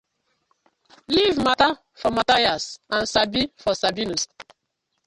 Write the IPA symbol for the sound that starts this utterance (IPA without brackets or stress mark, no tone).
l